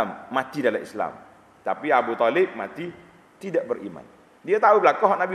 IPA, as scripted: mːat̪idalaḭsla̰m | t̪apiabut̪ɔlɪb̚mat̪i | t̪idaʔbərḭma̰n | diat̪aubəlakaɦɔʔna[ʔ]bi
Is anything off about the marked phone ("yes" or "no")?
yes